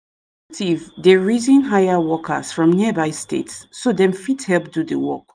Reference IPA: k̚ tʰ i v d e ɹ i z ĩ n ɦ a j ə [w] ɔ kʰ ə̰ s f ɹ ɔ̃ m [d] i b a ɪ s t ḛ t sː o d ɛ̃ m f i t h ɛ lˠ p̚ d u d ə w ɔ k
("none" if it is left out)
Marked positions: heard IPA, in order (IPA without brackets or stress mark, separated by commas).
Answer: w, n